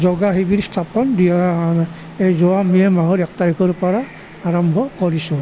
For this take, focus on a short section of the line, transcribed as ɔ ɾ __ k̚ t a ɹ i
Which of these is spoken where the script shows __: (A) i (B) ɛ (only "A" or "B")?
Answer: B